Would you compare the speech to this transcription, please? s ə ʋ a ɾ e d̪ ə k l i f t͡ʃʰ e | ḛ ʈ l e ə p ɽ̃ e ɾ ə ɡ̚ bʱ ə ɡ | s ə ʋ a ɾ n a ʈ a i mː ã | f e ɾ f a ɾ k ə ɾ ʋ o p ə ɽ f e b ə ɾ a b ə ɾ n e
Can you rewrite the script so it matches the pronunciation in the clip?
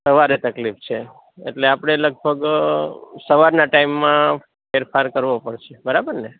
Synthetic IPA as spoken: s ə ʋ a ɾ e t̪ ə k l i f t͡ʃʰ e | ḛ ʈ l e a p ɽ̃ e l ə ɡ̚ bʱ ə ɡ | s ə ʋ a ɾ n a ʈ a i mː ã | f e ɾ f a ɾ k ə ɾ ʋ o p ə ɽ ʃ e b ə ɾ a b ə ɾ n e